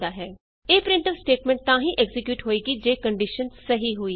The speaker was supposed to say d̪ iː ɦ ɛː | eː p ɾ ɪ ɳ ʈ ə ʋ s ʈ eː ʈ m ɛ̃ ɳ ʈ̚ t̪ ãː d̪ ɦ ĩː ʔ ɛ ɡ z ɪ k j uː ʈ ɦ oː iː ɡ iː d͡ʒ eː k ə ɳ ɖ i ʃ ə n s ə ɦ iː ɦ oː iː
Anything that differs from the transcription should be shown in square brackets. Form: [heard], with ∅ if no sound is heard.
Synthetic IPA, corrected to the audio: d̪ [aː] ɦ ɛː | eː p ɾ ɪ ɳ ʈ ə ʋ s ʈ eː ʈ m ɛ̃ ɳ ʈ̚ t̪ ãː [∅] ɦ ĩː ʔ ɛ ɡ z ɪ k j uː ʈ ɦ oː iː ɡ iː d͡ʒ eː k ə ɳ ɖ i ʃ ə n s ə ɦ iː ɦ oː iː